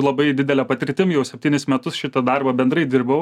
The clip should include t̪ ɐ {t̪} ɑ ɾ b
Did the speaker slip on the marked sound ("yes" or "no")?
yes